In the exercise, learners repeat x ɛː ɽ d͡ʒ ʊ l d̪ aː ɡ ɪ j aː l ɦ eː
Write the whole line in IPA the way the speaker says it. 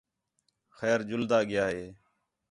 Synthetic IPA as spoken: x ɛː ɾ d͡ʒ ʊ l d̪ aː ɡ ɪ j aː ɦ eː